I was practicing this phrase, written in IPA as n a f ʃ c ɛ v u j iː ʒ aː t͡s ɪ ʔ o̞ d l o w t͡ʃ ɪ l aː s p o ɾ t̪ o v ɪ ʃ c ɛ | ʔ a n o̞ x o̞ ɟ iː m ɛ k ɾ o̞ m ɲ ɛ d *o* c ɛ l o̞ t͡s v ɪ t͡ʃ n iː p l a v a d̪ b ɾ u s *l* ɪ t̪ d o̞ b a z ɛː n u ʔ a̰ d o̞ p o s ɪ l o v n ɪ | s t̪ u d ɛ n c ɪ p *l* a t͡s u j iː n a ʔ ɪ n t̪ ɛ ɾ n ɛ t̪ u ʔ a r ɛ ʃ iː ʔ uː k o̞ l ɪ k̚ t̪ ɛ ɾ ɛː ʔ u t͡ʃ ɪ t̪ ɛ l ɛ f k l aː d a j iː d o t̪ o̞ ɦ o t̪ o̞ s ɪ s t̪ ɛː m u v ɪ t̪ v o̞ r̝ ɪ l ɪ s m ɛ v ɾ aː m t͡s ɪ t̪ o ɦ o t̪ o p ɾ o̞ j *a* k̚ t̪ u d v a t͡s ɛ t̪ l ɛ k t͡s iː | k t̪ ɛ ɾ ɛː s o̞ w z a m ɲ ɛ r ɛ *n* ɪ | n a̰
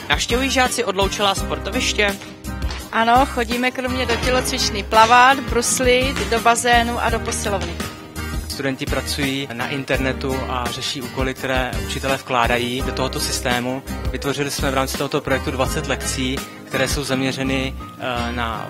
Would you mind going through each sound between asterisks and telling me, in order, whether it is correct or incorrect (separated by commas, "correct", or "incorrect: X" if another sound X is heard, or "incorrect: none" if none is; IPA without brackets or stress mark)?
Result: correct, correct, incorrect: ɾ, incorrect: ɛ, correct